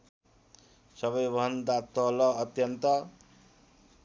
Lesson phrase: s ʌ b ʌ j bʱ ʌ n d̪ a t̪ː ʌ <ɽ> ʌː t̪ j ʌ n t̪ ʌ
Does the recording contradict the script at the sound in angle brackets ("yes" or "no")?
yes